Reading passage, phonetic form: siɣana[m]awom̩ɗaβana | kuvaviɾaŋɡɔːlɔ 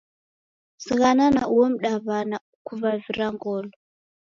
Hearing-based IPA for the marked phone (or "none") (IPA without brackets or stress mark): n